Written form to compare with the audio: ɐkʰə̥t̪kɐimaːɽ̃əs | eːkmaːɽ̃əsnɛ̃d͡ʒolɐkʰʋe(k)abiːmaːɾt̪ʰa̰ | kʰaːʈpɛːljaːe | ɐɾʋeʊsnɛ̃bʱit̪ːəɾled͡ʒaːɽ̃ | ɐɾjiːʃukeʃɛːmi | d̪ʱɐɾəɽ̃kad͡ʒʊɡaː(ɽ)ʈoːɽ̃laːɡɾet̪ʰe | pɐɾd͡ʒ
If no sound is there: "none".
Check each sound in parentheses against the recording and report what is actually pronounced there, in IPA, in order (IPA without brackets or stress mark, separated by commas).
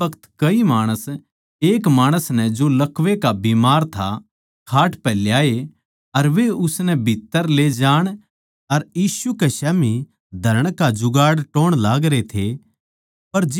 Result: k, ɽ